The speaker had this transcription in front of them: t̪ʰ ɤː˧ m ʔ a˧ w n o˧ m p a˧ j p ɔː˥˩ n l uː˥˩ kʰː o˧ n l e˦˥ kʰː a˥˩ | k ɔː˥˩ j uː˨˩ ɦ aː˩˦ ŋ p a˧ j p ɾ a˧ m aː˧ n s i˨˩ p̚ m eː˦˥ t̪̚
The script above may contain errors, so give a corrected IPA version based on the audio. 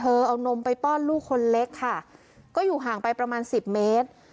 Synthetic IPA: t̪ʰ ɤː˧ ʔ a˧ w n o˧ m p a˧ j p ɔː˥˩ n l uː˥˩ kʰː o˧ n l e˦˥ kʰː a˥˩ | k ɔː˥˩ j uː˨˩ ɦ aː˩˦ ŋ p a˧ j p ɾ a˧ m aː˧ n s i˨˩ p̚ m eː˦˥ t̪̚